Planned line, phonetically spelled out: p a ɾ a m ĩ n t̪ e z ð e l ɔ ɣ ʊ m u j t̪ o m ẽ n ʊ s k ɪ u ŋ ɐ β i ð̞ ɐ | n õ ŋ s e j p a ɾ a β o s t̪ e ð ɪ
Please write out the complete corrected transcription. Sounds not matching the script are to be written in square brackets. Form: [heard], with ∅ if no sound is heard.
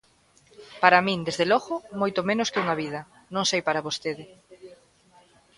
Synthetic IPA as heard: p a ɾ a m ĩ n [d̪] e z ð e l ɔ ɣ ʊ m [o] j t̪ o m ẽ n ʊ s k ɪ u ŋ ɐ β i ð̞ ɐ | n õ ŋ s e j p a ɾ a β o s t̪ e ð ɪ